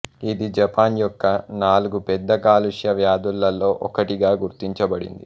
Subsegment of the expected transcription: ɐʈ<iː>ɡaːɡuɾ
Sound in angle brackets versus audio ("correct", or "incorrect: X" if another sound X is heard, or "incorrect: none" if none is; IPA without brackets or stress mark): incorrect: i